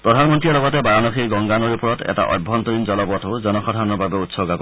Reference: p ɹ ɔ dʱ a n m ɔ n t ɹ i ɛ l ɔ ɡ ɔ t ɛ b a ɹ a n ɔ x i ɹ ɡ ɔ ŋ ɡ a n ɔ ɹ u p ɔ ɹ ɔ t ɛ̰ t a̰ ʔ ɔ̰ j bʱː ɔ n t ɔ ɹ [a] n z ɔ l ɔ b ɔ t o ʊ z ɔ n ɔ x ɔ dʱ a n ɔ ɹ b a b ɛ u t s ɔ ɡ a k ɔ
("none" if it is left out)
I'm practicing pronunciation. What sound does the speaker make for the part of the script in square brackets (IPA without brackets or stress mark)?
i